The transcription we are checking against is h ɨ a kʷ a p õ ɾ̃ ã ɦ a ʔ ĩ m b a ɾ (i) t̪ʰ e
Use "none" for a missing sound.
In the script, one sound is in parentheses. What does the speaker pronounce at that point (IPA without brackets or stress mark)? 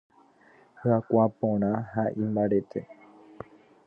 e